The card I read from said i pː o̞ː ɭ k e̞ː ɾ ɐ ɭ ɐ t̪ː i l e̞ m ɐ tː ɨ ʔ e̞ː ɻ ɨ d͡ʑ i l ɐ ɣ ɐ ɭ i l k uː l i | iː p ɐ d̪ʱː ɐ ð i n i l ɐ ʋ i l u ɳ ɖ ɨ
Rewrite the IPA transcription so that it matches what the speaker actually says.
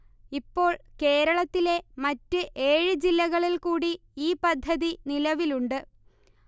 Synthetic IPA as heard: i pː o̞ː ɭ k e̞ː ɾ ɐ ɭ ɐ t̪ː i l e̞ m ɐ tː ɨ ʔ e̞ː ɻ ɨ d͡ʑ i lː ɐ ɣ ɐ ɭ i l k uː ɽ i | iː p ɐ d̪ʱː ɐ ð i n i l ɐ ʋ i l u ɳ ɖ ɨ